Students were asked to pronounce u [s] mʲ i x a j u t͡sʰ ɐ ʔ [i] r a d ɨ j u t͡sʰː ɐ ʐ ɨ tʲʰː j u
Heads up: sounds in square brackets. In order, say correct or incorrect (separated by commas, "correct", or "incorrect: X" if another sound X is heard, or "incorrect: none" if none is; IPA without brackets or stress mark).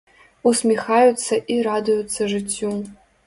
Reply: correct, correct